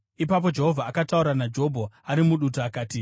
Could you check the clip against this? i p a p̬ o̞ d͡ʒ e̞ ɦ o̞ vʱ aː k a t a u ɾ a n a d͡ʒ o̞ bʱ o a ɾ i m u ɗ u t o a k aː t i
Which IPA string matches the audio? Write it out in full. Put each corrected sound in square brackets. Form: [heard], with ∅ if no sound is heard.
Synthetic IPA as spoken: i p a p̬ o̞ d͡ʒ e̞ ɦ o̞ vʱ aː k a t a u ɾ a n a d͡ʒ o̞ bʱ o a ɾ i m u ɗ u t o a k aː t i